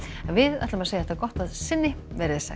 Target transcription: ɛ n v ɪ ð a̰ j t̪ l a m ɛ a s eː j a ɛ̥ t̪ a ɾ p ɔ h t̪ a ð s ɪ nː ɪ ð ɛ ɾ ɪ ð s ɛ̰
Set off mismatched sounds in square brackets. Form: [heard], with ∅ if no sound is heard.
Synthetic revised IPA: ɛ n v ɪ ð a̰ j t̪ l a m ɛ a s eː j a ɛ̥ t̪ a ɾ [k] ɔ h t̪ a ð s ɪ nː ɪ [v] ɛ ɾ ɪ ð s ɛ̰